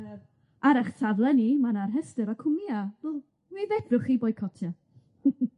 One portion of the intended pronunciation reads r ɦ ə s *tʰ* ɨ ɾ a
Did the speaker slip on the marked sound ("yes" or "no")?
yes